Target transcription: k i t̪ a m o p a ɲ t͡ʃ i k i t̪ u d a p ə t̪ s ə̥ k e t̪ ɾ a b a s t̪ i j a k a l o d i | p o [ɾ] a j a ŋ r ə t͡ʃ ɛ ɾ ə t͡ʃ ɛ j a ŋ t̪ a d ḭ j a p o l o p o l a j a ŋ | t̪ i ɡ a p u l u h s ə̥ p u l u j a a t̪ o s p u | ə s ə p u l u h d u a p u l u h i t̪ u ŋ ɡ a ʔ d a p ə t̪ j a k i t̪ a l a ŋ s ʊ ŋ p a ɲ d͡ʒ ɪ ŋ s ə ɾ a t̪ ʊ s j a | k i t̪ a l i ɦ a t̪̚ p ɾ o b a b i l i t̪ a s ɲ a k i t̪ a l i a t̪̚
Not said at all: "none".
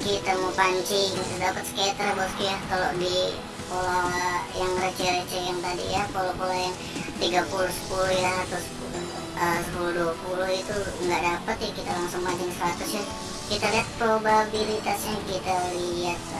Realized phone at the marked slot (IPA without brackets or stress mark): l